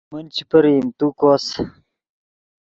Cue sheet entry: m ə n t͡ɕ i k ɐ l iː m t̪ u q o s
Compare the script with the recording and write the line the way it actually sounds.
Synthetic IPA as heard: m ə n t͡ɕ i p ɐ ɾ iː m t̪ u k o s